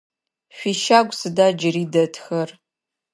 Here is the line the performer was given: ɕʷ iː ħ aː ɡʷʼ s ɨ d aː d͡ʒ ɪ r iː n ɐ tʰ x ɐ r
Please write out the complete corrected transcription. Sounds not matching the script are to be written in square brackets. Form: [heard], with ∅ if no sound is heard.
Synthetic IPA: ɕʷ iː [ʃ] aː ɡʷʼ s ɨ d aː d͡ʒ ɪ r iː [d] ɐ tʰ x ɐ r